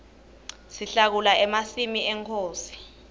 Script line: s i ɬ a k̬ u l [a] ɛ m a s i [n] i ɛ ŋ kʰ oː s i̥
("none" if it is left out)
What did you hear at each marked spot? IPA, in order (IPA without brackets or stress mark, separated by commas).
a, m